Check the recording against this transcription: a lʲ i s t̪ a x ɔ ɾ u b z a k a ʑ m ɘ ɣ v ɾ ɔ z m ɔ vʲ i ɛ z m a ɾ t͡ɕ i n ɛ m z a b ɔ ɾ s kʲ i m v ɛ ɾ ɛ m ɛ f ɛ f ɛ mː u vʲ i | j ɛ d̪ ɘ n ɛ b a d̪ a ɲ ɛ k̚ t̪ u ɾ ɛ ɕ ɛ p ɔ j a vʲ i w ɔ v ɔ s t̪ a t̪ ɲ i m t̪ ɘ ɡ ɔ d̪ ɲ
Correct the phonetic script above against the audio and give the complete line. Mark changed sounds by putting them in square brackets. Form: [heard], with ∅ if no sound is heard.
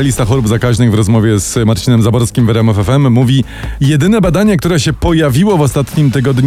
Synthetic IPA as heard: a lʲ i s t̪ a x ɔ ɾ u b z a k a ʑ [n] ɘ ɣ v ɾ ɔ z m ɔ vʲ [j] ɛ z m a ɾ t͡ɕ i n ɛ m z a b ɔ ɾ s kʲ i m v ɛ ɾ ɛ m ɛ f ɛ f ɛ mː u vʲ i | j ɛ d̪ ɘ n ɛ b a d̪ a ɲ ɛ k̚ t̪ u ɾ ɛ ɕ ɛ p ɔ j a vʲ i w ɔ v ɔ s t̪ a t̪ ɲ i m t̪ ɘ ɡ ɔ d̪ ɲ